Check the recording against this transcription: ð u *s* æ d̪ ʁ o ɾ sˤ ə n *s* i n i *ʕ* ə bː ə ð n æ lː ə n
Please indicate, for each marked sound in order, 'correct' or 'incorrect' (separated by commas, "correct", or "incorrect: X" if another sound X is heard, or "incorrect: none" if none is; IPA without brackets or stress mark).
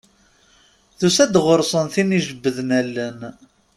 correct, incorrect: θ, incorrect: ʒ